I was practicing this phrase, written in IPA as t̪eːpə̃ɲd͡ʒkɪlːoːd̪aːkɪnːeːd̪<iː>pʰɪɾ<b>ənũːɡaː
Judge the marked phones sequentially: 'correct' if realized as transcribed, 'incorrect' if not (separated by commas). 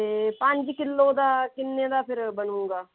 incorrect, correct